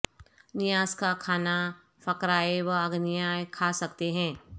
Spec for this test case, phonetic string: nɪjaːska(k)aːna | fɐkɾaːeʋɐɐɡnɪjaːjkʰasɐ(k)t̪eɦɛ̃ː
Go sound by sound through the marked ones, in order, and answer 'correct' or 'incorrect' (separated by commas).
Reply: incorrect, correct